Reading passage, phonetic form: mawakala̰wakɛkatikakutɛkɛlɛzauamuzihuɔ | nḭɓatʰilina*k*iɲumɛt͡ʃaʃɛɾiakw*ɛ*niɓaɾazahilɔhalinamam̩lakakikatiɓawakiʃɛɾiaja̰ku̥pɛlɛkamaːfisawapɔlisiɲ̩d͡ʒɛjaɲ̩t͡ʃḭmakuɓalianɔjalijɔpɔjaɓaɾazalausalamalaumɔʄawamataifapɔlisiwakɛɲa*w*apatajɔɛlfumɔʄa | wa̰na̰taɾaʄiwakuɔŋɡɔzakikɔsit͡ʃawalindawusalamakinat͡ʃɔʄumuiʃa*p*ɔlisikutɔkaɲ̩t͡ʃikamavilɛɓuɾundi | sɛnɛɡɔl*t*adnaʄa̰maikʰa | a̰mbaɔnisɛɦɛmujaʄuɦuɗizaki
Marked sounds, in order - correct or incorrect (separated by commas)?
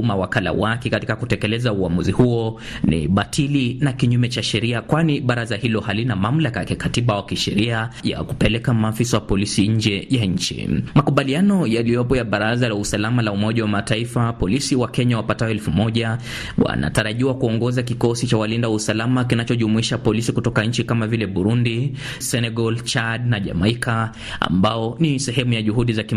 correct, incorrect, correct, correct, incorrect